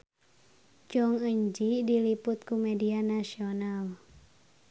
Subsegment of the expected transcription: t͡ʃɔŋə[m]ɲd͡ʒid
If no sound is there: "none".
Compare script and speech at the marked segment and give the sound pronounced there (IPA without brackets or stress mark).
none